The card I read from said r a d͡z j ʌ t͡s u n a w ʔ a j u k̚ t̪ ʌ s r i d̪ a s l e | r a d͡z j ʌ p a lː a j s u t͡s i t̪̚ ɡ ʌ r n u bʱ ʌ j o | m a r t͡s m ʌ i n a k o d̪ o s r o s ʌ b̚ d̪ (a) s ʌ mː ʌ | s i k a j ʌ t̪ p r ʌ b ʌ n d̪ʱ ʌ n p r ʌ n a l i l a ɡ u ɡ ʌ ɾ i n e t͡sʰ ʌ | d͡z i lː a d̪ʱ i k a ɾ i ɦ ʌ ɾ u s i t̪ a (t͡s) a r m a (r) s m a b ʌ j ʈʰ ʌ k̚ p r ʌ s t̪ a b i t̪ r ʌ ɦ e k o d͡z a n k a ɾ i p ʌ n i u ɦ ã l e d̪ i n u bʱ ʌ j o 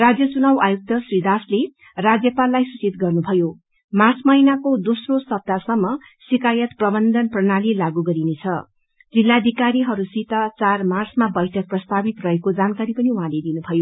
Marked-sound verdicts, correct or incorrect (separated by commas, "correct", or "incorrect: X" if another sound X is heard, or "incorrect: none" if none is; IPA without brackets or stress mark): correct, correct, correct